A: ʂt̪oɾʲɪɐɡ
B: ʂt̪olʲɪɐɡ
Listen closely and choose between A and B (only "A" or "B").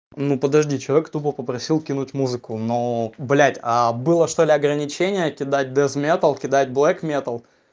B